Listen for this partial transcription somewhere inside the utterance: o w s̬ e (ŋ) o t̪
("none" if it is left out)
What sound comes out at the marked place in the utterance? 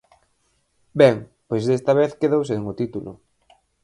ŋ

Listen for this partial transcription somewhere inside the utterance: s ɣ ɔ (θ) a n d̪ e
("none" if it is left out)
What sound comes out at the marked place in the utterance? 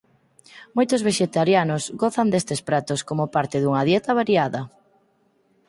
θ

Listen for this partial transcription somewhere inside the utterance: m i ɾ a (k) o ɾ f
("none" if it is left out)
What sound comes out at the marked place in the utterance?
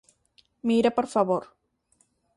p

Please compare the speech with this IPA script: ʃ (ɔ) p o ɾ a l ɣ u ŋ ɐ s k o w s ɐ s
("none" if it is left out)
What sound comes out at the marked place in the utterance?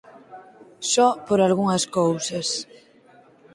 ɔ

